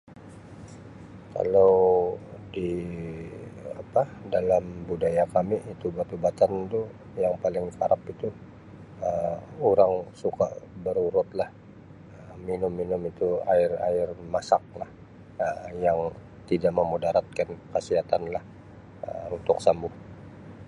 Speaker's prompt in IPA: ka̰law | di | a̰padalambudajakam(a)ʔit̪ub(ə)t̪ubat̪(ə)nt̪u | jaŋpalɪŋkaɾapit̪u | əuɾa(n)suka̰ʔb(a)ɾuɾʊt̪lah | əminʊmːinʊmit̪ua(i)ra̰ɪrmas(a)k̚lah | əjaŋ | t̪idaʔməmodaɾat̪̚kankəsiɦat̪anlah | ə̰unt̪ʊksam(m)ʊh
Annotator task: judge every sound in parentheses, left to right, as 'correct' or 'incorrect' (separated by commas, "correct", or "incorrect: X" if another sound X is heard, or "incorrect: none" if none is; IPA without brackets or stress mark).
incorrect: i, incorrect: a, incorrect: a, incorrect: ŋ, incorrect: ə, incorrect: ɪ, correct, incorrect: b